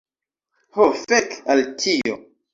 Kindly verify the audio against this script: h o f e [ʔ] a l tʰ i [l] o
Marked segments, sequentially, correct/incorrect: incorrect: k, incorrect: none

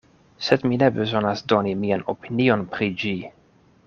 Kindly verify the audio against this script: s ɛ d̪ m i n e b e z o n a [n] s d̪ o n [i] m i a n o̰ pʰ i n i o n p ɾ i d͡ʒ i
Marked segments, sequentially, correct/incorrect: incorrect: none, correct

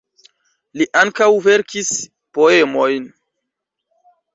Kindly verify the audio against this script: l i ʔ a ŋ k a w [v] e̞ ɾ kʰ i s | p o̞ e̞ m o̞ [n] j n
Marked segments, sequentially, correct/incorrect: correct, incorrect: none

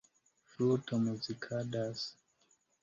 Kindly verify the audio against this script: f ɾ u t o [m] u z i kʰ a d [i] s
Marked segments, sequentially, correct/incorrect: correct, incorrect: a

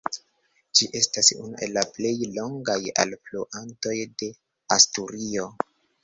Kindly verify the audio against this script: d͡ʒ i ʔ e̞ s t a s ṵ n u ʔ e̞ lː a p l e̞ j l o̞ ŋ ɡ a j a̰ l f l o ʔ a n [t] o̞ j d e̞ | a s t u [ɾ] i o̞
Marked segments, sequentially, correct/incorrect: correct, correct

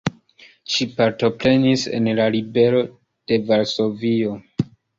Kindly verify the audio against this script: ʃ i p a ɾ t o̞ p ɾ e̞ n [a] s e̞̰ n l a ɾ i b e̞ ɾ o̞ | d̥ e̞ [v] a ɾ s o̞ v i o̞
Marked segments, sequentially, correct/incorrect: incorrect: i, correct

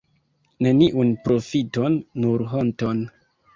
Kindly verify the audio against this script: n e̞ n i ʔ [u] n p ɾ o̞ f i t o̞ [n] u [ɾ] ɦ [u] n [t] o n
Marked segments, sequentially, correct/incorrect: correct, incorrect: nː, correct, incorrect: o, correct

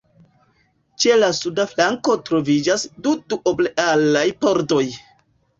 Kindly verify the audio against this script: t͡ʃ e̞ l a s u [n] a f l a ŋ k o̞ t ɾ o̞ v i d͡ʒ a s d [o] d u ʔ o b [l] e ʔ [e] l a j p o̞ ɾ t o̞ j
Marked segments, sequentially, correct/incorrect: incorrect: d, incorrect: u, correct, incorrect: a

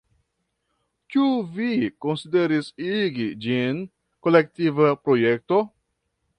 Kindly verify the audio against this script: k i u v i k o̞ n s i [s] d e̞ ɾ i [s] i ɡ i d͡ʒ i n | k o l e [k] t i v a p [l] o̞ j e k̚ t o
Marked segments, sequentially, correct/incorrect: incorrect: none, correct, correct, incorrect: ɾ

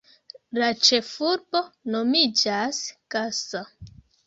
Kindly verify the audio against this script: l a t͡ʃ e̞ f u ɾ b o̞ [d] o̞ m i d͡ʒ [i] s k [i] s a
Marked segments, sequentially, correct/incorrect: incorrect: n, incorrect: a, incorrect: a

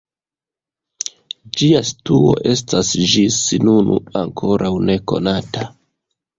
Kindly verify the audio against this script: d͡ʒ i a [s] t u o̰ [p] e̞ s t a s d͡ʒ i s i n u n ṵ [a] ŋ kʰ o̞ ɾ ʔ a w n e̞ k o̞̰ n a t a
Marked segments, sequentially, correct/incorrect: correct, incorrect: ʔ, correct

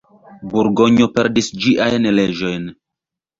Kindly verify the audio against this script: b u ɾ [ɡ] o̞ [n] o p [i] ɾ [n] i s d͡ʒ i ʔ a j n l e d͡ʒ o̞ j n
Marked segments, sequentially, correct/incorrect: correct, incorrect: ɲ, incorrect: e, incorrect: d

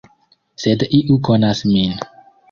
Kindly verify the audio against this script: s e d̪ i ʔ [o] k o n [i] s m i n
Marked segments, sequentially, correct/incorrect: incorrect: u, incorrect: a

